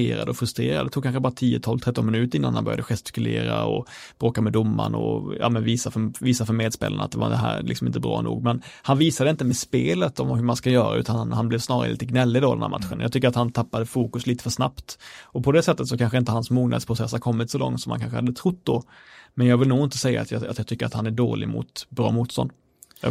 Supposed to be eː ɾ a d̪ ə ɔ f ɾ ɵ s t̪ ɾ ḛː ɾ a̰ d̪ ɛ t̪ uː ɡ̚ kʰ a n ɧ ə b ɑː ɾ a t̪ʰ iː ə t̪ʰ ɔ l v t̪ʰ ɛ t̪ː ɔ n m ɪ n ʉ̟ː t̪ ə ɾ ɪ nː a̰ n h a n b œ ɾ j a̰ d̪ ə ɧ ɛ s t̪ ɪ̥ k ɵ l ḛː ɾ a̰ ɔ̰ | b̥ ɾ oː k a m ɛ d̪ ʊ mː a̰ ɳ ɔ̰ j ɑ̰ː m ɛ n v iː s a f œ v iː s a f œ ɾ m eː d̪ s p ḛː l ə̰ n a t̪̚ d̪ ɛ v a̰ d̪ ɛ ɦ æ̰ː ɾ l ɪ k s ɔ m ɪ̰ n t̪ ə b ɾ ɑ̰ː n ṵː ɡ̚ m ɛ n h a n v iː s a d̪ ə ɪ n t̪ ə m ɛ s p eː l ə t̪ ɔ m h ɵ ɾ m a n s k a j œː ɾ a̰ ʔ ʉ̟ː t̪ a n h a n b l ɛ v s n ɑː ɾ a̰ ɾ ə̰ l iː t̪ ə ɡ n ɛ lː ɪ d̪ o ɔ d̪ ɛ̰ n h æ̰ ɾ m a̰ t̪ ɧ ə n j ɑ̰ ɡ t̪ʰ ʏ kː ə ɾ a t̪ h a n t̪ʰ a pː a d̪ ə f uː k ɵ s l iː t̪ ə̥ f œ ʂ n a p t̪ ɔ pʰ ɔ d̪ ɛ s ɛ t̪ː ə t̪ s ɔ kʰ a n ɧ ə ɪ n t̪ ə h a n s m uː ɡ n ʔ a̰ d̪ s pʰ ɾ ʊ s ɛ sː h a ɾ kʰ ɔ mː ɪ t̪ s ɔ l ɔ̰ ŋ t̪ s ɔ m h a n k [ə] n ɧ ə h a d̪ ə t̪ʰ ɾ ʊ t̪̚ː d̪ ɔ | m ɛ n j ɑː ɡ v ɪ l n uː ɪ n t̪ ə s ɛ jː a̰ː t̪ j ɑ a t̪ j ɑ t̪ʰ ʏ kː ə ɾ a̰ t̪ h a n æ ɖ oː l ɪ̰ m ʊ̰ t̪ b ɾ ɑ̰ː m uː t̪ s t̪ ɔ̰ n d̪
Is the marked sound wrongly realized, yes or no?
yes